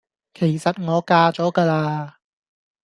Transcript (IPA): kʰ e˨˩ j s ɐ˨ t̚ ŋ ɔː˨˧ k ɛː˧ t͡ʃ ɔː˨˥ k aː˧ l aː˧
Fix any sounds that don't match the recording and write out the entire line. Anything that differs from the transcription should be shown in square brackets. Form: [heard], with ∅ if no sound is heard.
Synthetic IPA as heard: kʰ e˨˩ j s ɐ˨ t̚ ŋ ɔː˨˧ k [aː˧] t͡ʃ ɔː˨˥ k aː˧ l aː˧